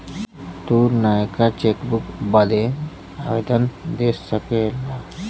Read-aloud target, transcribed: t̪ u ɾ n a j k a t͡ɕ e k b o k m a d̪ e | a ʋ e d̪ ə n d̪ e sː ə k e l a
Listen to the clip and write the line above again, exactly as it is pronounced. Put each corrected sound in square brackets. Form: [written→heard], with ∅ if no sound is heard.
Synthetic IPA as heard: t̪ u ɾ n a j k a t͡ɕ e k b [o→u] k [m→b] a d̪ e | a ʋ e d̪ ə n d̪ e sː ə k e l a

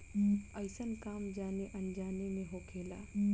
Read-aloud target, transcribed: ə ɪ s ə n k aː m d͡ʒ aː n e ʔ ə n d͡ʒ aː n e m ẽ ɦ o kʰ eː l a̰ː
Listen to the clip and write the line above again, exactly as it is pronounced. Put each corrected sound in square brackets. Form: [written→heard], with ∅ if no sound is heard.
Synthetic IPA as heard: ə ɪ s ə n k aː m d͡ʒ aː n e ʔ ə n d͡ʒ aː n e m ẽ ɦ o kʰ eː l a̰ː

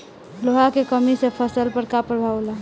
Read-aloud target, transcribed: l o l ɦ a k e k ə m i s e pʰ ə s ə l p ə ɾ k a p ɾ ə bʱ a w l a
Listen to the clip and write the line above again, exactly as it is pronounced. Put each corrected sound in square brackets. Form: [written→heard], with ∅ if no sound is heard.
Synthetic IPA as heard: l o [l→∅] ɦ a k e k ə m i s e pʰ ə s ə l p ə ɾ k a p ɾ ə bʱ a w l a

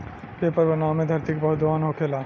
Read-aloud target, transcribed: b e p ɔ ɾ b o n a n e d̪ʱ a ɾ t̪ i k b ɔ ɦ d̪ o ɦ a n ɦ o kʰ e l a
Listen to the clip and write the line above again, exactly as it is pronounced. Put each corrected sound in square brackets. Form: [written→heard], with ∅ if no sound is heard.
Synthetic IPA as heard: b e p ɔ ɾ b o n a [n→m] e d̪ʱ a ɾ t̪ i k b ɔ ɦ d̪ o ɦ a n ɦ o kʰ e l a

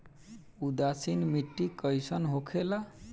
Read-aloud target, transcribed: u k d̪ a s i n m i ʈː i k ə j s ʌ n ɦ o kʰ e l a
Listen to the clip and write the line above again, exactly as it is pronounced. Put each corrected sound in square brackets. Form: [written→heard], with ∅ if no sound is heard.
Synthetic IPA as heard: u [k→∅] d̪ a s i n m i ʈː i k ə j s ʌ n ɦ o kʰ e l a

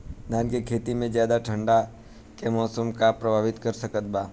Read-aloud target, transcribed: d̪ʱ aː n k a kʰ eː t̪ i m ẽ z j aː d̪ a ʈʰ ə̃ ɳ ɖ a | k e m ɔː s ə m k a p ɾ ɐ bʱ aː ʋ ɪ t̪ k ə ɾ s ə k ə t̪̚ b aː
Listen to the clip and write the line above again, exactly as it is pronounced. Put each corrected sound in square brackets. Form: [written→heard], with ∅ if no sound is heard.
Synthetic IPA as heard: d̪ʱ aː n k [a→e] kʰ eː t̪ i m ẽ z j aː d̪ a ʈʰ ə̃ ɳ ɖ a | k e m ɔː s ə m k a p ɾ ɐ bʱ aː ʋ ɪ t̪ k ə ɾ s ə k ə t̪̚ b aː

